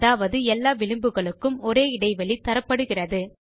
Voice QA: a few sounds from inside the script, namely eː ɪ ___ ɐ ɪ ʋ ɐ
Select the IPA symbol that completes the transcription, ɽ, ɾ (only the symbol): ɽ